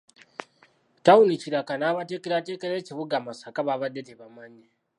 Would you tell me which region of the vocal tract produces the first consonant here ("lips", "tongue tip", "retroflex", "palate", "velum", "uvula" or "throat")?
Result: tongue tip